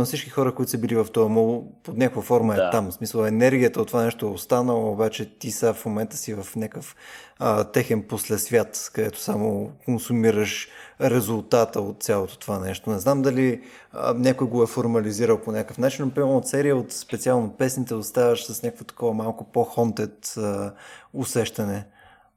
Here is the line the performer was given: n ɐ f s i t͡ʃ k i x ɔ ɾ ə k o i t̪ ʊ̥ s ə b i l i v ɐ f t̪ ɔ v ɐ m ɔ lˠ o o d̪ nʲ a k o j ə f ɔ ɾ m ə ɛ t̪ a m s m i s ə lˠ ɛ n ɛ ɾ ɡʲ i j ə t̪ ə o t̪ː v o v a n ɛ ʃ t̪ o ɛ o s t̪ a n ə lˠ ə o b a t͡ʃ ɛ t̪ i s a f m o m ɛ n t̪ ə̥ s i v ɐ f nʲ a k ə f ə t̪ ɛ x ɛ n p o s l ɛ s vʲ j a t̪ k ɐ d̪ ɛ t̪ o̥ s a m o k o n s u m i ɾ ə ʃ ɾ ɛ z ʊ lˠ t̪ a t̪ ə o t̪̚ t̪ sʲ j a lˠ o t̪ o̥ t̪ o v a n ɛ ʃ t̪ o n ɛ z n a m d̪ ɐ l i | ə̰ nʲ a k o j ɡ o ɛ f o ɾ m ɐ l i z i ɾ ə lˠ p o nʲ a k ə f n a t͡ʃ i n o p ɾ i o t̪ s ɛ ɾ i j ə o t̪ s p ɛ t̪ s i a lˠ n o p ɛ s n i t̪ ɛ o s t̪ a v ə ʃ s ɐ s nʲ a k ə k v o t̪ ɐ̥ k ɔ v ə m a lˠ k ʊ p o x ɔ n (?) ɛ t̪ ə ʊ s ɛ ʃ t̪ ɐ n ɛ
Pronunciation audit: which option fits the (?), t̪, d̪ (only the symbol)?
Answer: t̪